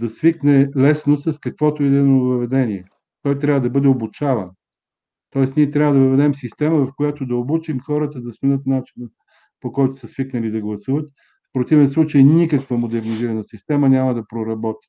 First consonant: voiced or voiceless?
voiced